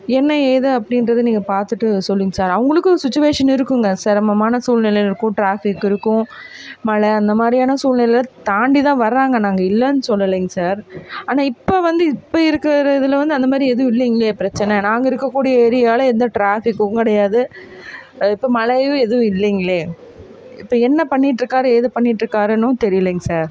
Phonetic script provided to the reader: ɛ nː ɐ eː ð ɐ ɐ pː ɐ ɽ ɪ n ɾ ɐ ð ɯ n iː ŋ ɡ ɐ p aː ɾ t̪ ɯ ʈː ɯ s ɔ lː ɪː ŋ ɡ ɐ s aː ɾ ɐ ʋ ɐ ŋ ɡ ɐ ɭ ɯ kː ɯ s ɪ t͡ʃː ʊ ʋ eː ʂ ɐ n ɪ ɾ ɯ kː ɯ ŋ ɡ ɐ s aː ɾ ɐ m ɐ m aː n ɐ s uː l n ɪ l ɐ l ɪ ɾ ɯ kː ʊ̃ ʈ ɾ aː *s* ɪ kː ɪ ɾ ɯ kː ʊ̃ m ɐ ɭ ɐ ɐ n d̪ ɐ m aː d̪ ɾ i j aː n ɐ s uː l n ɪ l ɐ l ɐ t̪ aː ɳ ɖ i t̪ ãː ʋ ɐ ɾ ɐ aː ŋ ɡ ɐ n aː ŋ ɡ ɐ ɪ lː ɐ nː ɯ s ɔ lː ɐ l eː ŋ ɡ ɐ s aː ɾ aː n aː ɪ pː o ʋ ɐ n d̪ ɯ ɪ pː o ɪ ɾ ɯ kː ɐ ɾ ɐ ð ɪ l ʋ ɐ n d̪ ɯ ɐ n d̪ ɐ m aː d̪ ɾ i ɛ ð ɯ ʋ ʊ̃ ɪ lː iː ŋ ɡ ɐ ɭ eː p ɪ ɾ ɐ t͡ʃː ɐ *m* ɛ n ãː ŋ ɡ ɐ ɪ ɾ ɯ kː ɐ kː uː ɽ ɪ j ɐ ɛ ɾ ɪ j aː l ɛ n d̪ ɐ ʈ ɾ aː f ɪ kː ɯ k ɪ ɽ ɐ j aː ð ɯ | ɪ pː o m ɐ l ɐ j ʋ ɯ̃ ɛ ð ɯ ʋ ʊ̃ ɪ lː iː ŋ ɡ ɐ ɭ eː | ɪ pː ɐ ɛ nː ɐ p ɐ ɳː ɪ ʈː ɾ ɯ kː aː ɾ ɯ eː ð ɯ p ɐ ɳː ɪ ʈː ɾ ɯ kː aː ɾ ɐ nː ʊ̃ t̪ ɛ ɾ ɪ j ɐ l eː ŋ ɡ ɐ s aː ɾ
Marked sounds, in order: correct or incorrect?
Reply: incorrect, incorrect

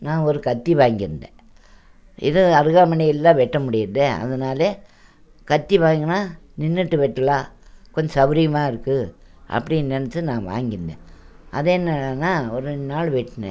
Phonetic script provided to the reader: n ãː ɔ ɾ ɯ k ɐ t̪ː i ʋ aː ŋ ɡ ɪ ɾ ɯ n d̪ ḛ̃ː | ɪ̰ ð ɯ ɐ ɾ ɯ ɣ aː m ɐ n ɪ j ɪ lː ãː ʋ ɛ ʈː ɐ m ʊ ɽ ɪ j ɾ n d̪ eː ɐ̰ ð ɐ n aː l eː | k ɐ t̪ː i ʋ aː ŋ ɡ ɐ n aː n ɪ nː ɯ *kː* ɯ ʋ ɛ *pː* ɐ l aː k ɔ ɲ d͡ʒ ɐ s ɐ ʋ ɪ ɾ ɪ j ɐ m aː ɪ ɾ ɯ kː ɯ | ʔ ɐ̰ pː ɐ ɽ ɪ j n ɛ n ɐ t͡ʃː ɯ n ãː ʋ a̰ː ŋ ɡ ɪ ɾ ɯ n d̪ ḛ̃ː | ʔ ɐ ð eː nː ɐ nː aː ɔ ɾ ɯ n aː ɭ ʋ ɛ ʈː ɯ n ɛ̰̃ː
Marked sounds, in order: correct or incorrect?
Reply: incorrect, incorrect

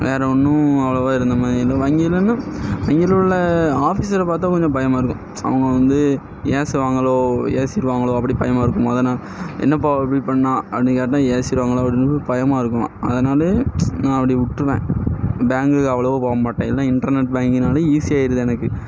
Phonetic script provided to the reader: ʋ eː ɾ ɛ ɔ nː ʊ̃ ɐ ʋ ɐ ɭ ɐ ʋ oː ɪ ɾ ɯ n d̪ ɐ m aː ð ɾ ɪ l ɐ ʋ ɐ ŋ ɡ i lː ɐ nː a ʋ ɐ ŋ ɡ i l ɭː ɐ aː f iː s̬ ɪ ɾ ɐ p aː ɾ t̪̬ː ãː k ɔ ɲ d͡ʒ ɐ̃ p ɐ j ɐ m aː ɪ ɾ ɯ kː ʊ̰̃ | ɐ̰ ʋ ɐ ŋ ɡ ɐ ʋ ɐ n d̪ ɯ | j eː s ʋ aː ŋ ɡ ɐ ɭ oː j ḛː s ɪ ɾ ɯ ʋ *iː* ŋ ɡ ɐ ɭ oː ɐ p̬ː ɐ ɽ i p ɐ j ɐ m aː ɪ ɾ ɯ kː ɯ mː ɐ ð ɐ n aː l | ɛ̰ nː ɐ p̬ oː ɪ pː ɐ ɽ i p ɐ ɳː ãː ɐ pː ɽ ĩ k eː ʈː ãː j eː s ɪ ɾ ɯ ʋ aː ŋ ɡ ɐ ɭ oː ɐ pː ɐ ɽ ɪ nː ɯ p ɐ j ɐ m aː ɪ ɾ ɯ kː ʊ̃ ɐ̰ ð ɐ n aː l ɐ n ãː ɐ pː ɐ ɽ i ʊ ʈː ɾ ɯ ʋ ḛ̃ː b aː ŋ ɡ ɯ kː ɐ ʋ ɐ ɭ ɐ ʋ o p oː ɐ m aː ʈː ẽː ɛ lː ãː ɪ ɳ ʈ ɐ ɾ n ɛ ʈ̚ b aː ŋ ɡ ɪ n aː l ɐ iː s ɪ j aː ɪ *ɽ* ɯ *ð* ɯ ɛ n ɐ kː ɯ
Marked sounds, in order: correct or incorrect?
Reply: incorrect, incorrect, correct

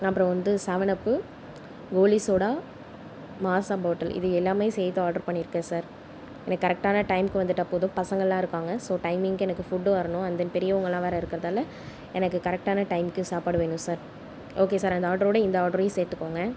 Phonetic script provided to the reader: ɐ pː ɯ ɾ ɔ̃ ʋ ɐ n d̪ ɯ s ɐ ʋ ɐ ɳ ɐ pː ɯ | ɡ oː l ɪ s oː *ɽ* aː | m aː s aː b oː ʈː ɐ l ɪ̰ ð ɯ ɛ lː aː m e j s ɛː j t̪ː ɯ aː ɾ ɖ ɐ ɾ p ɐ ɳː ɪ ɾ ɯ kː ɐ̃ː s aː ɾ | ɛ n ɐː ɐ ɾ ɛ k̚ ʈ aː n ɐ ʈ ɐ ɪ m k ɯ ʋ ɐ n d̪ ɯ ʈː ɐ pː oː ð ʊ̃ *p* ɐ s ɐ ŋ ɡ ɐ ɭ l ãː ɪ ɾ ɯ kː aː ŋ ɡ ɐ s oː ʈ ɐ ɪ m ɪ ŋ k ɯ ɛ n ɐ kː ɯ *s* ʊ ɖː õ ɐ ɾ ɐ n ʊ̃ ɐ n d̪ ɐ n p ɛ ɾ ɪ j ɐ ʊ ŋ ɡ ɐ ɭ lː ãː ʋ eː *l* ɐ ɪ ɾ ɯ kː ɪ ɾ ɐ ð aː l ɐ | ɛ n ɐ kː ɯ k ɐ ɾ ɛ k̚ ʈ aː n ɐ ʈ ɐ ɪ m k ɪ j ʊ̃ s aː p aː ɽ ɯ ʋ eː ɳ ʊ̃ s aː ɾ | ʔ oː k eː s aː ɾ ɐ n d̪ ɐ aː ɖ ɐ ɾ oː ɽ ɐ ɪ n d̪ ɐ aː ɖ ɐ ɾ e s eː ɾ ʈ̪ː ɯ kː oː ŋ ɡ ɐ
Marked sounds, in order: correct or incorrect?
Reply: correct, correct, incorrect, incorrect

